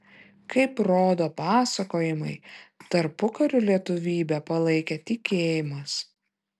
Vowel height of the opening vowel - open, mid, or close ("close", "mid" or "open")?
open